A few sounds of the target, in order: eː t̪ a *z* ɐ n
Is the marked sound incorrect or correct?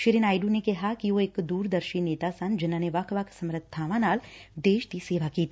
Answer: incorrect